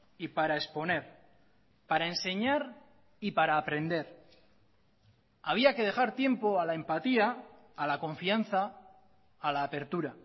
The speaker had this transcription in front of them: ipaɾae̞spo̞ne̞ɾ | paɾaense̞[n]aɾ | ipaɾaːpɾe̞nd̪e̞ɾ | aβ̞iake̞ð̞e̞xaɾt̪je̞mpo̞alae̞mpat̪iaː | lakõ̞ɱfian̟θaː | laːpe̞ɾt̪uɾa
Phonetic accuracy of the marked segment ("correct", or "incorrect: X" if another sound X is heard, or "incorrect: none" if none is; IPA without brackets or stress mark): incorrect: ɲ